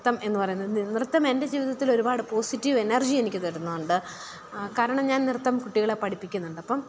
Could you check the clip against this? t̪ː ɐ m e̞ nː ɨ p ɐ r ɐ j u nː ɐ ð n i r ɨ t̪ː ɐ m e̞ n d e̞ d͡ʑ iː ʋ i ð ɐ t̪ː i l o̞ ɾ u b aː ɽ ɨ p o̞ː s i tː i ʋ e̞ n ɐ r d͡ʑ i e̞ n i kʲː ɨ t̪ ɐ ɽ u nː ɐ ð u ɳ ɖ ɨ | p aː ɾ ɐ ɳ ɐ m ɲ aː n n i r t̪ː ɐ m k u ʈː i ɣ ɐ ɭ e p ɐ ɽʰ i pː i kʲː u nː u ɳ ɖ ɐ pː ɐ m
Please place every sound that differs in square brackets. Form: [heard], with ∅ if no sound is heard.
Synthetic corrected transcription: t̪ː ɐ m e̞ nː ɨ p ɐ r ɐ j u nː ɐ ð n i r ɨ t̪ː ɐ m e̞ n d e̞ d͡ʑ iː ʋ i ð ɐ t̪ː i l o̞ ɾ u b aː ɽ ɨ p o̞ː s i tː i ʋ e̞ n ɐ r d͡ʑ i e̞ n i kʲː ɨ t̪ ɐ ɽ u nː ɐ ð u ɳ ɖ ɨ | [k] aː ɾ ɐ ɳ ɐ m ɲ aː n n i r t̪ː ɐ m k u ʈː i ɣ ɐ ɭ e p ɐ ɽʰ i pː i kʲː u nː u ɳ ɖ ɐ pː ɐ m

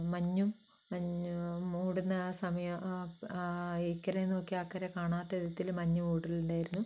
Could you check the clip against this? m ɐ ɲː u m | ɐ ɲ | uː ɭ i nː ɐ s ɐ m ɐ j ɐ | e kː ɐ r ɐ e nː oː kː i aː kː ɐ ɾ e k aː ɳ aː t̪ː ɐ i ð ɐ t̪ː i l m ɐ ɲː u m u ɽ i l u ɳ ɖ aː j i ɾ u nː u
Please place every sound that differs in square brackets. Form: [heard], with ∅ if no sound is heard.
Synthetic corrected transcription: m ɐ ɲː u m | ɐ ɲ | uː [ɽ] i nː ɐ s ɐ m ɐ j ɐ | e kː ɐ [ɾ] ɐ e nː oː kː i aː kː ɐ ɾ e k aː ɳ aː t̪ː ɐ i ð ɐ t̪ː i l m ɐ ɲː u m [uː] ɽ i l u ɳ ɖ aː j i ɾ u nː u

